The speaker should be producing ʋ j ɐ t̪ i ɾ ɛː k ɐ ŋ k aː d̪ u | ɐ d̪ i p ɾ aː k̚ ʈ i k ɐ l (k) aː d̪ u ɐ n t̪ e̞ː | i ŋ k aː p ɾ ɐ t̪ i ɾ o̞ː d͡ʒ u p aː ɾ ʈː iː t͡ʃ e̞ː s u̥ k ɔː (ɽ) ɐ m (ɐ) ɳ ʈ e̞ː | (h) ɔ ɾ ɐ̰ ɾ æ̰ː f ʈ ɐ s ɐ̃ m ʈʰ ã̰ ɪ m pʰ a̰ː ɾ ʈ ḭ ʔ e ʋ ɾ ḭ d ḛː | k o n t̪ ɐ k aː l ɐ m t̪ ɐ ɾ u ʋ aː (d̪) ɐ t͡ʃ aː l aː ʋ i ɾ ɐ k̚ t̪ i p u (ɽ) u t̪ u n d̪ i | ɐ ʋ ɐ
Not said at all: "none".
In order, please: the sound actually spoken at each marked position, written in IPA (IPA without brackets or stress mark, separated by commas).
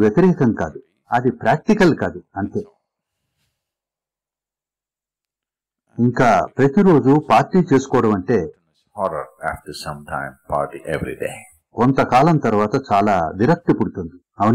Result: k, ɽ, ɐ, h, t̪, ɽ